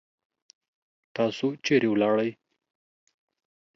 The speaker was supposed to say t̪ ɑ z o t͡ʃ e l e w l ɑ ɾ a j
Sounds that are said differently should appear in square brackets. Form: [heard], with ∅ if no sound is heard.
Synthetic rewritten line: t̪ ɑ [s] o t͡ʃ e [ɾ] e w l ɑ [ɽ] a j